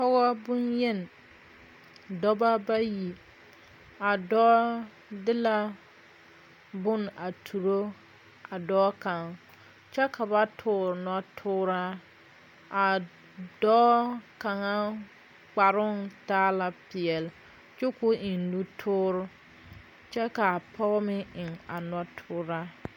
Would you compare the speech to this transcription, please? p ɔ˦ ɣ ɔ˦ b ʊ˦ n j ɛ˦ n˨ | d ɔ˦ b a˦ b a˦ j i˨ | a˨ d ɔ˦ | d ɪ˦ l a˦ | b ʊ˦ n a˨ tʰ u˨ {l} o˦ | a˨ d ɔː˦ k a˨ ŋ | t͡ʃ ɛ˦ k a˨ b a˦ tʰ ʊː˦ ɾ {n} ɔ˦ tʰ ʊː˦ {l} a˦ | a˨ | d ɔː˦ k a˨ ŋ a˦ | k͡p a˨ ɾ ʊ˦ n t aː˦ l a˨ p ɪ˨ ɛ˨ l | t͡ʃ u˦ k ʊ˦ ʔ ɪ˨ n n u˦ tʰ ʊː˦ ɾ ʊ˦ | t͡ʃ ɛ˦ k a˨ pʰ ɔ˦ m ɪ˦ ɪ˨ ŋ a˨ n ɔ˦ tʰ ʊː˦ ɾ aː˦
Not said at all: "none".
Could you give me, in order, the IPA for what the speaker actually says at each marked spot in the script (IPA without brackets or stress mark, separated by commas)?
ɾ, n, ɾ